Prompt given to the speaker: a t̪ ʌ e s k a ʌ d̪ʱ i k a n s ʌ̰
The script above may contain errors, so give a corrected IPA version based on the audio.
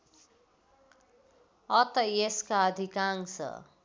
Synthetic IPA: ʌ t̪ ʌ e s k a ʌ d̪ʱ i k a ŋ s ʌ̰